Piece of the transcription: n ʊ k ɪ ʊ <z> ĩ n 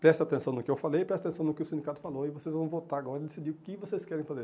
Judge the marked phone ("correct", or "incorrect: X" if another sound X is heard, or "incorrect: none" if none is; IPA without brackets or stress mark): incorrect: s